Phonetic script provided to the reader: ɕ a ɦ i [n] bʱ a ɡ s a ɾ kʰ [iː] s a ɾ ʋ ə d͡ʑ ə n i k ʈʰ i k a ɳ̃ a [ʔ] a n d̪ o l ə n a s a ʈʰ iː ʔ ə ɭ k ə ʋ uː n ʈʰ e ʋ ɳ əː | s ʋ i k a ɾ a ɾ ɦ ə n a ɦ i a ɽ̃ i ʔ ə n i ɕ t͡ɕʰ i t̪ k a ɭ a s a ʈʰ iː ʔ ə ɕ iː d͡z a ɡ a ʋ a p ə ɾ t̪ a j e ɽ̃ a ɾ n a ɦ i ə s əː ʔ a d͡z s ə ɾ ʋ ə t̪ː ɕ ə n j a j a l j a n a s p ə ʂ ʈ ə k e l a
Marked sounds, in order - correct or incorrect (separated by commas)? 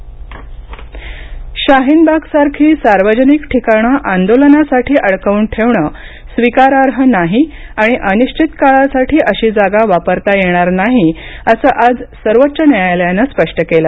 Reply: correct, correct, correct